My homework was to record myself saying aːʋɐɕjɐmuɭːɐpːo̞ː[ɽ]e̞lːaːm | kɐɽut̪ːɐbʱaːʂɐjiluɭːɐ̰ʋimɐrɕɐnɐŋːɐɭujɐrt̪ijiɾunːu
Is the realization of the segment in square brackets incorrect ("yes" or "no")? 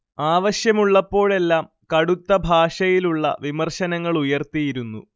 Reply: yes